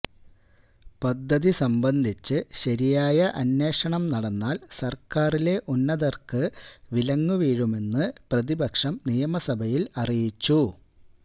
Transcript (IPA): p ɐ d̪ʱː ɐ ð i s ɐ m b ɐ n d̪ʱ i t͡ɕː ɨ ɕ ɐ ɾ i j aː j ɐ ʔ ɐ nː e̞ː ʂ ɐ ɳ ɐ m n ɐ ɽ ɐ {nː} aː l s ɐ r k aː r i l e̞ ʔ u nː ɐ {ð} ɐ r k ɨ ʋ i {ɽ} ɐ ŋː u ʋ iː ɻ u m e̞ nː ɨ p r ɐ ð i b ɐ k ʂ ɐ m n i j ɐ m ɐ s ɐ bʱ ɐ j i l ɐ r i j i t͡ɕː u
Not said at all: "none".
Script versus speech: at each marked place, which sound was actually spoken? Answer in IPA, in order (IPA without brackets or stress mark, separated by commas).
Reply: nː, ð, l